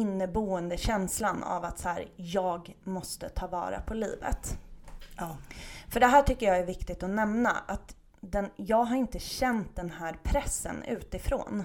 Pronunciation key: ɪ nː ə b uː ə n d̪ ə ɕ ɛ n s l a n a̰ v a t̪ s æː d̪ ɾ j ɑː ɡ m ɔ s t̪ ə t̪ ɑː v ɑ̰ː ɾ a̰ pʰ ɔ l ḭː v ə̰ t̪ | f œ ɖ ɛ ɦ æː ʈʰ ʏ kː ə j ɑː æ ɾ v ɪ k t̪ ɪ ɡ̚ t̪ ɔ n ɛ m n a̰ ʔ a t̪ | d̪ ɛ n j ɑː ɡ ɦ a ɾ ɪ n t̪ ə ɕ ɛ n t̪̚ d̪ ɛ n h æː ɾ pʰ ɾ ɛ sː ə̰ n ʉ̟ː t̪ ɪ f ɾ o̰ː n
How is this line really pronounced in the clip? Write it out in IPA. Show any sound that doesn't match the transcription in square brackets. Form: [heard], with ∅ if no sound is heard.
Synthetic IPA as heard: ɪ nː ə b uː ə n d̪ ə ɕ ɛ n s l a n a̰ v a t̪ s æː [∅] ɾ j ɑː ɡ m ɔ s t̪ ə [t̪ʰ] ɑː v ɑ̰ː ɾ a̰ pʰ ɔ l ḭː v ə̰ t̪ | f œ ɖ ɛ ɦ æː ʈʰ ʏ kː ə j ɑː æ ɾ v ɪ k t̪ ɪ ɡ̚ t̪ ɔ n ɛ m n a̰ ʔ a t̪ | d̪ ɛ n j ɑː ɡ ɦ a ɾ ɪ n t̪ ə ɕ ɛ n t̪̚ d̪ ɛ n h æː ɾ pʰ ɾ ɛ sː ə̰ n ʉ̟ː t̪ ɪ f ɾ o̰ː n